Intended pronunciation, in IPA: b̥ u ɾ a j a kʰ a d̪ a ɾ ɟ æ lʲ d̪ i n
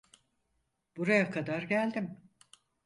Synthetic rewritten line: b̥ u ɾ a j a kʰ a d̪ a ɾ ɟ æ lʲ d̪ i m

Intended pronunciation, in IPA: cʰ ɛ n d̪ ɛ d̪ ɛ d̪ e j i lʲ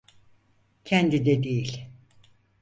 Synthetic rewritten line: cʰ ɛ n d̪ i d̪ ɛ d̪ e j i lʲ

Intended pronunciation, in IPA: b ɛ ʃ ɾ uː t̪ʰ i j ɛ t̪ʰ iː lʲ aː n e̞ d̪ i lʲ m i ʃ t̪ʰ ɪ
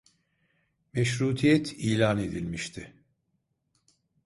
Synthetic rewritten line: m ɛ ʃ ɾ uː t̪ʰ i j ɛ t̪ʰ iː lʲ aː n e̞ d̪ i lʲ m i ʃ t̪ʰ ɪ

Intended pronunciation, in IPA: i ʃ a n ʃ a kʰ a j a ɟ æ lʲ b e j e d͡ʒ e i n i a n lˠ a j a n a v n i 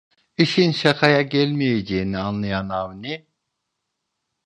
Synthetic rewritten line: i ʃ i n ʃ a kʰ a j a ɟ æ lʲ m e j e d͡ʒ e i n i a n lˠ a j a n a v n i

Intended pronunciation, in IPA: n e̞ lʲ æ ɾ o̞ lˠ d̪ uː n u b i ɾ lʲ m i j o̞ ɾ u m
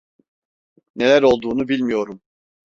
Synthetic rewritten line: n e̞ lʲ æ ɾ o̞ lˠ d̪ uː n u b i lʲ m i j o̞ ɾ u m

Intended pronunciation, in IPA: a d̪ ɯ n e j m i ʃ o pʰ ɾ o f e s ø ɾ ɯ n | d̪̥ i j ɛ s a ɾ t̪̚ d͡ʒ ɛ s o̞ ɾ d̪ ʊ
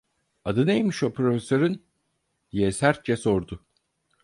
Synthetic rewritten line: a d̪ ɯ n e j m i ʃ o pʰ ɾ o f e s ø ɾ ɯ n | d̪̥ i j ɛ s æ ɾ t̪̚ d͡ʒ ɛ s o̞ ɾ d̪ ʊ

